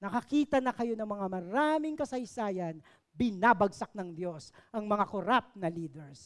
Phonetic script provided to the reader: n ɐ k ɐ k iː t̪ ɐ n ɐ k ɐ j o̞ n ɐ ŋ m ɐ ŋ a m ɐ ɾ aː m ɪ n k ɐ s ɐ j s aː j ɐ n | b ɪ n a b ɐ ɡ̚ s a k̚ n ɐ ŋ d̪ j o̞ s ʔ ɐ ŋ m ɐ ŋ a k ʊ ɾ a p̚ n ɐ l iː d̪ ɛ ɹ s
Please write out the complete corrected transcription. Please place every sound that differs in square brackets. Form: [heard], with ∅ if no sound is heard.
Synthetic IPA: n ɐ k ɐ k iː t̪ ɐ n ɐ k ɐ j o̞ n ɐ ŋ m ɐ ŋ a m ɐ ɾ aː m ɪ [ŋ] k ɐ s ɐ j s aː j ɐ n | b ɪ n a b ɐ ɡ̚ s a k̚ n ɐ ŋ d̪ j o̞ s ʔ ɐ ŋ m ɐ ŋ a k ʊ ɾ a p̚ n ɐ l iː d̪ ɛ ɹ s